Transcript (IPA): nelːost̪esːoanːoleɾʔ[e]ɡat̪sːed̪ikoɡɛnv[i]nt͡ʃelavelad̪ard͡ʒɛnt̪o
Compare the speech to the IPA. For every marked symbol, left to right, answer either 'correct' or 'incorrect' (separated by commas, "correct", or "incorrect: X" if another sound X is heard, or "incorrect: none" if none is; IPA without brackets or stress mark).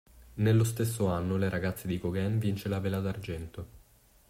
incorrect: a, correct